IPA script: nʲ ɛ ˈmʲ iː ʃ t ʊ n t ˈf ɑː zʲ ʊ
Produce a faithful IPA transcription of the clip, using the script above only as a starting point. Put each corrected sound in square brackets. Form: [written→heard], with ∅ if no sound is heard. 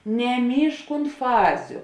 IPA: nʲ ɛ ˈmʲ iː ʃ [t→k] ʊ n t ˈf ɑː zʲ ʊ

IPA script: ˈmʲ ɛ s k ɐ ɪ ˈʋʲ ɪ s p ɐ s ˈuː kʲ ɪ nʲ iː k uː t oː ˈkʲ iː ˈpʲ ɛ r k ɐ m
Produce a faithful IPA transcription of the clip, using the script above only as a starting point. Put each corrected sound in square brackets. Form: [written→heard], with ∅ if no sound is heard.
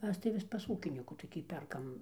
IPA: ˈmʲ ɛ s [k→t] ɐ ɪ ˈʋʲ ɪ s p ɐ s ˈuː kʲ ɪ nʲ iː k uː t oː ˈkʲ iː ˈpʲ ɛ r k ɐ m

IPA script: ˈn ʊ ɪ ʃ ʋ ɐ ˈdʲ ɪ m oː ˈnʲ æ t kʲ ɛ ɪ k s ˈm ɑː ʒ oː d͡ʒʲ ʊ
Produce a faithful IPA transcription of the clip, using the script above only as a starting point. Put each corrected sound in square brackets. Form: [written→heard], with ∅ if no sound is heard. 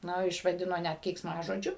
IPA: ˈn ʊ ɪ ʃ ʋ ɐ ˈdʲ ɪ [m→n] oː ˈnʲ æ t kʲ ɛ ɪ k s ˈm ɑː ʒ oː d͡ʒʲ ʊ

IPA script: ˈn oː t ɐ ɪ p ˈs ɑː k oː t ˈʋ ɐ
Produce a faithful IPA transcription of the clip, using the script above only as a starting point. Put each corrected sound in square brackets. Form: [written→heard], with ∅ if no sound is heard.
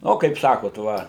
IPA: ˈn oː [t→k] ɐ ɪ p ˈs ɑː k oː t ˈʋ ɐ

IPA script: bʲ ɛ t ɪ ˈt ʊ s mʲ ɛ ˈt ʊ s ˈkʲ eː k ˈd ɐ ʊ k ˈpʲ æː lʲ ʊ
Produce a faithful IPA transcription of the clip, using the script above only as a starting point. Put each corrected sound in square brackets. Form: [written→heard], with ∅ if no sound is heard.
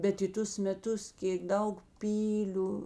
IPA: bʲ ɛ t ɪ ˈt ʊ s mʲ ɛ ˈt ʊ s ˈkʲ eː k ˈd ɐ ʊ k ˈpʲ [æː→iː] lʲ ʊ

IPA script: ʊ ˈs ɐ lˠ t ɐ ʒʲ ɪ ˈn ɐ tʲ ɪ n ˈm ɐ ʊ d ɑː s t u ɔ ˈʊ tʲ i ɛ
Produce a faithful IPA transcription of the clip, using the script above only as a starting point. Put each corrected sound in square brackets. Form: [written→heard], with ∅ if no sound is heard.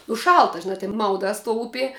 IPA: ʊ [ˈs→ˈʃ] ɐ lˠ t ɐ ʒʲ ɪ ˈn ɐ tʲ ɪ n ˈm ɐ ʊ d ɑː s t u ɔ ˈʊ [tʲ→pʲ] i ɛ

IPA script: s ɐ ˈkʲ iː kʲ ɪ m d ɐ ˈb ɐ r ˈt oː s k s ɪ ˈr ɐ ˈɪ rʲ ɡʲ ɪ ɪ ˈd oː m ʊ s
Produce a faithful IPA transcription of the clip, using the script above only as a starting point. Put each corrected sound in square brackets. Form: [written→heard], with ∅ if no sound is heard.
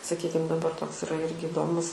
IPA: s ɐ ˈkʲ iː kʲ ɪ m d ɐ ˈb ɐ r ˈt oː [s→∅] k s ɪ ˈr ɐ ˈɪ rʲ ɡʲ ɪ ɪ ˈd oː m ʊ s

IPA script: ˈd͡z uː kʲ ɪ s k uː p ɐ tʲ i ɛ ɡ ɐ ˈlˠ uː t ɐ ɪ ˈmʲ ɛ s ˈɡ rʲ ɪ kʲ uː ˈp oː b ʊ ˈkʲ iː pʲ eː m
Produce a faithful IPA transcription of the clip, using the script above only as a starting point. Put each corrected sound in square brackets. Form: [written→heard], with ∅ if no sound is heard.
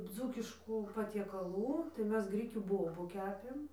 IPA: ˈd͡z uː kʲ ɪ [s→ʃ] k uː p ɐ tʲ i ɛ [ɡ→k] ɐ ˈlˠ uː t ɐ ɪ ˈmʲ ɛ s ˈɡ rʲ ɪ kʲ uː [ˈp→ˈb] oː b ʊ ˈkʲ [iː→æː] pʲ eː m

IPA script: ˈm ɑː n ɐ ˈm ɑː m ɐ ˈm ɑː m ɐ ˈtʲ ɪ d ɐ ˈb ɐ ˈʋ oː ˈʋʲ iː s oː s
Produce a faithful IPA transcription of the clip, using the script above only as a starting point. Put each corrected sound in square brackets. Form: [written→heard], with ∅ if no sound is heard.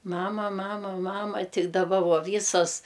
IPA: ˈm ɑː [n→m] ɐ ˈm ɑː m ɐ ˈm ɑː m ɐ ˈtʲ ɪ d ɐ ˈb ɐ ˈʋ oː ˈʋʲ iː s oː s

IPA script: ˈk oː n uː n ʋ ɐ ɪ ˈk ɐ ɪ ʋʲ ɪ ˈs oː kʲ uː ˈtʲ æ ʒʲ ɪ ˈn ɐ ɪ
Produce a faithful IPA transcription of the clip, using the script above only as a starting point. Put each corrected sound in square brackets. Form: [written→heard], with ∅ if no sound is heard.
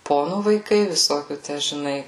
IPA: [ˈk→ˈp] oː n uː [n→∅] ʋ ɐ ɪ ˈk ɐ ɪ ʋʲ ɪ ˈs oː kʲ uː ˈtʲ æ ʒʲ ɪ ˈn ɐ ɪ

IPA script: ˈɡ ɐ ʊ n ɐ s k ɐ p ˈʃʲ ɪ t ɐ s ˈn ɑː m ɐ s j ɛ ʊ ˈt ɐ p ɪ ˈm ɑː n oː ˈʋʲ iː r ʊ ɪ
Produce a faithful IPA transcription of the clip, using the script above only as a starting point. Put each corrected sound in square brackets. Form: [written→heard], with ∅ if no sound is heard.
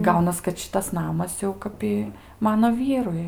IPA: ˈɡ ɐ ʊ n ɐ s k ɐ [p→t] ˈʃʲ ɪ t ɐ s ˈn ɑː m ɐ s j ɛ ʊ [ˈt→ˈk] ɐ p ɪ ˈm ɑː n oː ˈʋʲ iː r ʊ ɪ

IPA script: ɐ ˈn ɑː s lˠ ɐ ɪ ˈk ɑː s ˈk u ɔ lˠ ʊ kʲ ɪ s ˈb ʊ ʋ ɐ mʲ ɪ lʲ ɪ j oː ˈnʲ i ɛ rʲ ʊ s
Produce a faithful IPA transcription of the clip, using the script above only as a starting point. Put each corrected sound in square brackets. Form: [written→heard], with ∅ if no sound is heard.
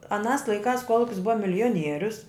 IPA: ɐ ˈn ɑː s lˠ ɐ ɪ ˈk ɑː s ˈk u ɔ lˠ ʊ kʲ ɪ s ˈb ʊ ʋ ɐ mʲ ɪ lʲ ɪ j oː ˈnʲ i ɛ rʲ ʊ s

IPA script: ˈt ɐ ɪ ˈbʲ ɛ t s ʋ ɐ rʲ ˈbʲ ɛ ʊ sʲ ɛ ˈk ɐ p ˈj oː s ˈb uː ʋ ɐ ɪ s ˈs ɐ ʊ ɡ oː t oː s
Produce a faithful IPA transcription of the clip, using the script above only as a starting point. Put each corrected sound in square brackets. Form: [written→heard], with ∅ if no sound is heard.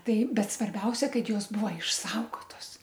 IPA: ˈt ɐ ɪ ˈbʲ ɛ t s ʋ ɐ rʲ ˈbʲ ɛ ʊ sʲ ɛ ˈk ɐ [p→t] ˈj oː s ˈb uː ʋ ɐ ɪ [s→ʃ] ˈs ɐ ʊ ɡ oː t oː s

